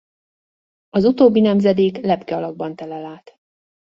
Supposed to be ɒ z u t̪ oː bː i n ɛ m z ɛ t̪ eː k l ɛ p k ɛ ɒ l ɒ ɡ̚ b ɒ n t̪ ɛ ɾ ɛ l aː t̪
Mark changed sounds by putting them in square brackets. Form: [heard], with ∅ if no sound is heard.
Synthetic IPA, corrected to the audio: ɒ z u t̪ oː bː i n ɛ m z ɛ [d̪] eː k l ɛ p k ɛ ɒ l ɒ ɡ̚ b ɒ n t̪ ɛ [l] ɛ l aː t̪